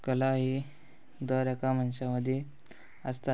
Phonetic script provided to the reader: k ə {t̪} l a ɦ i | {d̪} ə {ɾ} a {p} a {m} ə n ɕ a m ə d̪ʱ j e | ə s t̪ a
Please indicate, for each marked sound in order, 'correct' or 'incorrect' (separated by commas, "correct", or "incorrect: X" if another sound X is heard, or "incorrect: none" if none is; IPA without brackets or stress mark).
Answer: incorrect: none, correct, correct, incorrect: k, correct